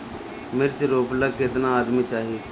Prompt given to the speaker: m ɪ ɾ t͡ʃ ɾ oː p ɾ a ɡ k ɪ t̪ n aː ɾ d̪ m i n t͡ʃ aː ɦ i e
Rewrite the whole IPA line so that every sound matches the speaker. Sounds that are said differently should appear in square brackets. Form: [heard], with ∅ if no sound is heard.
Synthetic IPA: m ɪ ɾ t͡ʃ ɾ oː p [l] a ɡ k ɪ t̪ n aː [∅] d̪ m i [∅] t͡ʃ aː ɦ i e